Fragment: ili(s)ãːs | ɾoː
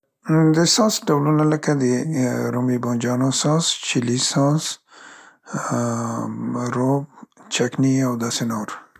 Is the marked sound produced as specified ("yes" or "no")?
yes